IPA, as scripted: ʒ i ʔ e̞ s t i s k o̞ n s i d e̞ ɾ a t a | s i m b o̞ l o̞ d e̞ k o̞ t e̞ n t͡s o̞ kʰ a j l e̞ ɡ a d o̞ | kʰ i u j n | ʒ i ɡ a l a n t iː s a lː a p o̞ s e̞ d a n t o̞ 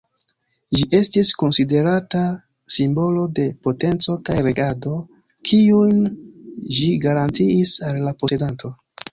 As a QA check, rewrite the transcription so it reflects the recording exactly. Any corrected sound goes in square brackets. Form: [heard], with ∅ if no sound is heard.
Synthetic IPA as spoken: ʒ i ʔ e̞ s t i s k o̞ n s i d e̞ ɾ a t a | s i m b o̞ l o̞ d e̞ [p] o̞ t e̞ n t͡s o̞ [k] a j [ɾ] e̞ ɡ a d o̞ | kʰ i u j n | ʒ i ɡ a [ɾ] a n t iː s a lː a p o̞ s e̞ d a n t o̞

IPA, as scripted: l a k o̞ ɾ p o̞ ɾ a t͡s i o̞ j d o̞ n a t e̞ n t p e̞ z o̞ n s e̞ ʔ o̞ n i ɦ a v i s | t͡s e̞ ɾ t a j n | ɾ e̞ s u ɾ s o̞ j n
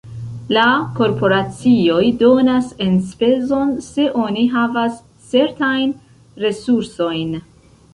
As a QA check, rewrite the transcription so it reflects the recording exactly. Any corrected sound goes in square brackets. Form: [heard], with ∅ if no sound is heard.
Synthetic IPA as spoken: l a k o̞ ɾ p o̞ ɾ a t͡s i o̞ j d o̞ n a [s] e̞ n [s] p e̞ z o̞ n s e̞ ʔ o̞ n i ɦ a v [a] s | t͡s e̞ ɾ t a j n | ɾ e̞ s u ɾ s o̞ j n

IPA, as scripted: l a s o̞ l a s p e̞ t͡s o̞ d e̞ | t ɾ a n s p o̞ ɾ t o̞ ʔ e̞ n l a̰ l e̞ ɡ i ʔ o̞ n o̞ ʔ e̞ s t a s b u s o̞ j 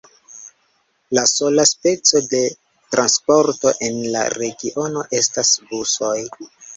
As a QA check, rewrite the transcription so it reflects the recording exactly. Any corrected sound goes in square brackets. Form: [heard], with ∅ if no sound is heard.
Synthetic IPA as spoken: l a s o̞ l a s p e̞ t͡s o̞ d e̞ | t ɾ a n s p o̞ ɾ t o̞ ʔ e̞ n l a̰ [ɾ] e̞ ɡ i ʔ o̞ n o̞ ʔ e̞ s t a s b u s o̞ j

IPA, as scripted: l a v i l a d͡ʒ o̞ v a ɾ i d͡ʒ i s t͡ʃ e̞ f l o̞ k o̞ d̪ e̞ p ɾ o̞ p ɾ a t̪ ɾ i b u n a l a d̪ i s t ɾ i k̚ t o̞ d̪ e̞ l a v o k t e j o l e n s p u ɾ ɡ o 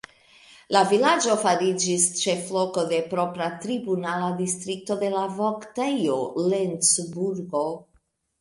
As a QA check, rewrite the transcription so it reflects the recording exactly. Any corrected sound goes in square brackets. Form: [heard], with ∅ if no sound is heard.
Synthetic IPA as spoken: l a v i l a d͡ʒ o̞ [f] a ɾ i d͡ʒ i s t͡ʃ e̞ f l o̞ k o̞ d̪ e̞ p ɾ o̞ p ɾ a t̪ ɾ i b u n a l a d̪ i s t ɾ i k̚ t o̞ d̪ e̞ l a v o k t e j o l e n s [b] u ɾ ɡ o

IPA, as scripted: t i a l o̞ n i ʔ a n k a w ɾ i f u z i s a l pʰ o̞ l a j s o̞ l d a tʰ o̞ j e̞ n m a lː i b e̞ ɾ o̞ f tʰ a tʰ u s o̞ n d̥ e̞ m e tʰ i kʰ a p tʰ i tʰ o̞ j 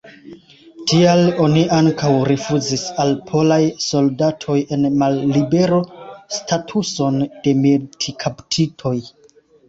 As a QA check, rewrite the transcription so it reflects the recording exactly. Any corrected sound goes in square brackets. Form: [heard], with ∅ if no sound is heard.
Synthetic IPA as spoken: t i a l o̞ n i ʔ a [ŋ] k a w ɾ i f u z i s a l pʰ o̞ l a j s o̞ l d a tʰ o̞ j e̞ n m a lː i b e̞ ɾ o̞ [s] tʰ a tʰ u s o̞ n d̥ e̞ m e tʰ i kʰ a p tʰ i tʰ o̞ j

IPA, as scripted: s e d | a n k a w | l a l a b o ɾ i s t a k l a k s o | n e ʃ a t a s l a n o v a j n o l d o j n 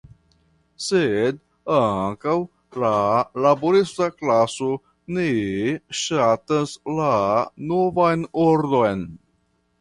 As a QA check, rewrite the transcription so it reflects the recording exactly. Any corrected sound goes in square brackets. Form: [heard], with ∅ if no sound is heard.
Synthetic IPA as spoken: s e d | a [ŋ] k a w | l a l a b o ɾ i s t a k l a [∅] s o | n e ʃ a t a s l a n o v a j n o [ɾ] d o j n

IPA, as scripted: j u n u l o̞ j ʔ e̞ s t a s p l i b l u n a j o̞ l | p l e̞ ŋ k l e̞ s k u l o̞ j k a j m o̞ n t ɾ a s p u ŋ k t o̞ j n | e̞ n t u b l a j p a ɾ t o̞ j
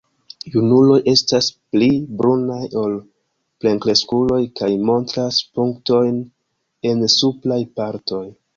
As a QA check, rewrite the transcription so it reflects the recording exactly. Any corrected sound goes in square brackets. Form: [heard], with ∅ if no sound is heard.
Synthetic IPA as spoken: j u n u l o̞ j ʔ e̞ s t a s p l i b [ɾ] u n a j o̞ l | p l e̞ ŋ k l e̞ s k u l o̞ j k a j m o̞ n t ɾ a s p u ŋ k t o̞ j n | e̞ n [s] u [p] l a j p a ɾ t o̞ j

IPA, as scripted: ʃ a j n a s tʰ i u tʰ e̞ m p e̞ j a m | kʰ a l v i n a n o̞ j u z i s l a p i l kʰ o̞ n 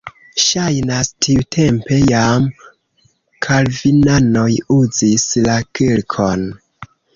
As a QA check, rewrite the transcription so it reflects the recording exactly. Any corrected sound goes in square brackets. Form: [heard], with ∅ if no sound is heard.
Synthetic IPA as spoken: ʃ a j n a s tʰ i u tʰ e̞ m p e̞ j a m | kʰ a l v i n a n o̞ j u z i s l a [k] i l kʰ o̞ n

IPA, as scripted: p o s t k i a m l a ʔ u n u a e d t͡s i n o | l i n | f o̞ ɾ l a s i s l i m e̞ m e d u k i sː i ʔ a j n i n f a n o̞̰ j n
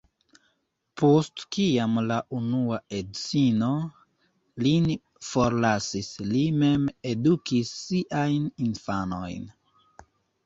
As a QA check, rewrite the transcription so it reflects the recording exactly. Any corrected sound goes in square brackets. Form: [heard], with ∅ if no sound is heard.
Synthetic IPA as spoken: p o s t k i a m l a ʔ u n u a e d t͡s i n o | l i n | f o̞ ɾ l a s i s l i m e̞ m e d u k i sː i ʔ a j n i n f a n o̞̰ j n

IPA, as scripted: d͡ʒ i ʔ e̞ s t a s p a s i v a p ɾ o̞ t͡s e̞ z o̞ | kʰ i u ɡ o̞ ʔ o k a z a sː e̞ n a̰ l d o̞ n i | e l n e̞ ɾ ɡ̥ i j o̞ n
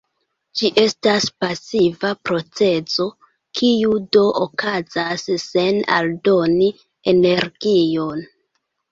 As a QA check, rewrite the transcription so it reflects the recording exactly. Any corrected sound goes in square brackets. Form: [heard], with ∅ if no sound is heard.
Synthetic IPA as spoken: d͡ʒ i ʔ e̞ s t a s p a s i v a p ɾ o̞ t͡s e̞ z o̞ | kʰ i u [d] o̞ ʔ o k a z a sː e̞ n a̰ l d o̞ n i | e [∅] n e̞ ɾ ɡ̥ i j o̞ n

